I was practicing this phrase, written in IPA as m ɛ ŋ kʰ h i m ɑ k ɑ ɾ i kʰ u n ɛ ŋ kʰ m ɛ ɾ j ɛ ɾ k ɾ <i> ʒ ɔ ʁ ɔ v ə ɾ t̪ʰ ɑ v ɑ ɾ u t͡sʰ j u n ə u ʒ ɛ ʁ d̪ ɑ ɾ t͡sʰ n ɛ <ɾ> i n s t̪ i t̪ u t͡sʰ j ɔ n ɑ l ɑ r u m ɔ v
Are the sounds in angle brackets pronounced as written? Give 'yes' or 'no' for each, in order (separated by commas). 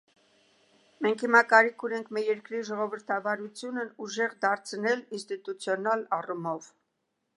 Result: yes, no